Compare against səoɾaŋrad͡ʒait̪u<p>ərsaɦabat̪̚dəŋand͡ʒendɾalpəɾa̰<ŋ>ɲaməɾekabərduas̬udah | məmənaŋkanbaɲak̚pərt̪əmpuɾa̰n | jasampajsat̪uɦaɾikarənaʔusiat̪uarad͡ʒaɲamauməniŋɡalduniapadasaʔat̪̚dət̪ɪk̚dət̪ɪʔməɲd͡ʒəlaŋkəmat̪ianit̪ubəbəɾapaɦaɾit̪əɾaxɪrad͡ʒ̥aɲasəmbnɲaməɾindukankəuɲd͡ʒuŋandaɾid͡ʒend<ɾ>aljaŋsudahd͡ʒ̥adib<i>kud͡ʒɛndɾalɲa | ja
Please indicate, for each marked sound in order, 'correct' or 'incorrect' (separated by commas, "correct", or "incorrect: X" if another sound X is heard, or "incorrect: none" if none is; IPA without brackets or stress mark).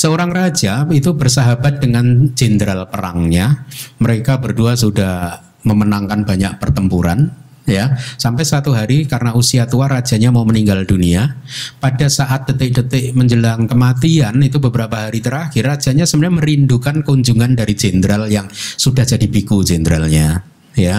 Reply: incorrect: b, correct, correct, correct